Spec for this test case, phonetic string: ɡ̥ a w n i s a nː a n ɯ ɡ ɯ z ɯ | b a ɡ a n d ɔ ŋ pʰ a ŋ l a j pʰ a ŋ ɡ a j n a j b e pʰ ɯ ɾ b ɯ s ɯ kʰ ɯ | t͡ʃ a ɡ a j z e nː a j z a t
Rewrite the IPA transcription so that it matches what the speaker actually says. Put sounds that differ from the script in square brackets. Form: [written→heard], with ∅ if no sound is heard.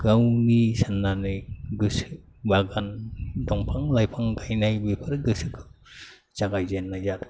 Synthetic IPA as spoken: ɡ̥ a w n i s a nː a n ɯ ɡ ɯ [z→s] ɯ | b a ɡ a n d ɔ ŋ pʰ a ŋ l a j pʰ a ŋ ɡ a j n a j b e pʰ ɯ ɾ [b→ɡ] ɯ s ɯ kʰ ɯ | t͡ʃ a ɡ a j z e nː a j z a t